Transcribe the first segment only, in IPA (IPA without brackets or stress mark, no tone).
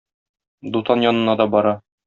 d̪